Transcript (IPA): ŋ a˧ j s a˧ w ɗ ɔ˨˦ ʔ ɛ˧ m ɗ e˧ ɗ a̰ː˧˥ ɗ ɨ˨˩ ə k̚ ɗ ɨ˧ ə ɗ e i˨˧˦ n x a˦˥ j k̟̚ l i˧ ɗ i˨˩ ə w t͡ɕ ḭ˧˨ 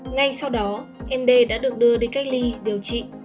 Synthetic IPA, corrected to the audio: ŋ a˧ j s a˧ w ɗ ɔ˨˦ ʔ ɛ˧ m ɗ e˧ ɗ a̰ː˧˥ ɗ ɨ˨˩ ə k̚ ɗ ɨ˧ ə ɗ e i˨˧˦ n k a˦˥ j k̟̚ l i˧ ɗ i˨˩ ə w t͡ɕ ḭ˧˨